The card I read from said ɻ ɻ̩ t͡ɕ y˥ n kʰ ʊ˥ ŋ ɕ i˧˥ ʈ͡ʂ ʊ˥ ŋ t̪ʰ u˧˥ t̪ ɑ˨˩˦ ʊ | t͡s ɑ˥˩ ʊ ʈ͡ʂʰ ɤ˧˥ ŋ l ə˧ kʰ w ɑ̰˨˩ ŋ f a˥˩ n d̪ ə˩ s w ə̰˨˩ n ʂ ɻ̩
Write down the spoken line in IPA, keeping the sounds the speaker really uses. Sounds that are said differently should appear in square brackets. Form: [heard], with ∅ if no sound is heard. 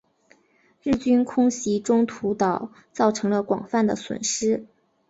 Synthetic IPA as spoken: ɻ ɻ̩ t͡ɕ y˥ n kʰ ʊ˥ ŋ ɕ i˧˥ ʈ͡ʂ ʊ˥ ŋ t̪ʰ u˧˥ t̪ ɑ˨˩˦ ʊ | t͡s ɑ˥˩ ʊ ʈ͡ʂʰ ɤ˧˥ ŋ l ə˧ [k] w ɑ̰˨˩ ŋ f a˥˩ n d̪ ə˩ s w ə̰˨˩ n ʂ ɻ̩